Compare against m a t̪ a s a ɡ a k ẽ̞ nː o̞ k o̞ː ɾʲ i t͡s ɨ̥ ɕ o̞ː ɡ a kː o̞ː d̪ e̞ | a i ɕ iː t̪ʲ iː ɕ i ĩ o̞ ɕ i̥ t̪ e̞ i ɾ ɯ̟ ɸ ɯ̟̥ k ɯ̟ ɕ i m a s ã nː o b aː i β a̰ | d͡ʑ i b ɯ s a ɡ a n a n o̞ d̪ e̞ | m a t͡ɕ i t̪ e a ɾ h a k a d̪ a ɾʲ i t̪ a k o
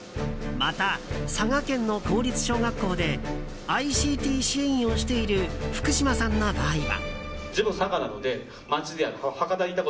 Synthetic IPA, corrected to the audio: m a t̪ a s a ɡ a k ẽ̞ nː o̞ k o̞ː ɾʲ i t͡s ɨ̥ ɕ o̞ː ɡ a kː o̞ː d̪ e̞ | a i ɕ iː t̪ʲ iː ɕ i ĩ o̞ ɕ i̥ t̪ e̞ i ɾ ɯ̟ ɸ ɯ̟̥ k ɯ̟ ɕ i m a s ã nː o b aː i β a̰ | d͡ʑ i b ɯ s a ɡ a n a n o̞ d̪ e̞ | m a t͡ɕ i d̪ e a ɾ h a k a d̪ a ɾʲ i t̪ a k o